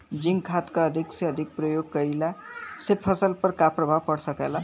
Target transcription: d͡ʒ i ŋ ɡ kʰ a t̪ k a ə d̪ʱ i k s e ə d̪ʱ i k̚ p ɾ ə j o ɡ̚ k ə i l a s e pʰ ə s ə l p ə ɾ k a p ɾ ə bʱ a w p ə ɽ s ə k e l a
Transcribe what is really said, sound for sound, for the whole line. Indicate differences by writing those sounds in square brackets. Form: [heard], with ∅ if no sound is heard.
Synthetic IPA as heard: d͡ʒ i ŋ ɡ kʰ a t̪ k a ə d̪ʱ i k s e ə d̪ʱ i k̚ p ɾ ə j o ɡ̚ k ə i l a s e pʰ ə s ə l p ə ɾ k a p ɾ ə bʱ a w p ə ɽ s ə k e l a